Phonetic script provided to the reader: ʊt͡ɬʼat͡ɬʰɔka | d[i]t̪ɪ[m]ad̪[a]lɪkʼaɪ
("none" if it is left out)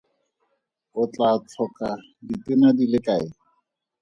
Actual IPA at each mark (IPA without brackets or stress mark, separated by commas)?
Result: i, n, i